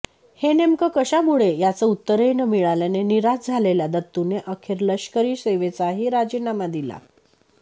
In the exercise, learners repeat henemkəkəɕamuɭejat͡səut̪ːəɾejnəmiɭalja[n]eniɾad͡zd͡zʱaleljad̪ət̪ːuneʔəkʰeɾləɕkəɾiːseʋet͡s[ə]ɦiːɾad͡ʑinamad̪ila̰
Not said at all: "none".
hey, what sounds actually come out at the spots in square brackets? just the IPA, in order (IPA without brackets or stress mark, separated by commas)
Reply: n, a